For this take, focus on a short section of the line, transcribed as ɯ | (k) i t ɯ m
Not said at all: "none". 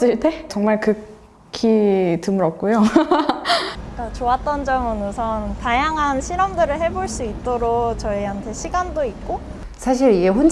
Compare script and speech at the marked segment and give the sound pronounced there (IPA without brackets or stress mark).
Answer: kʰ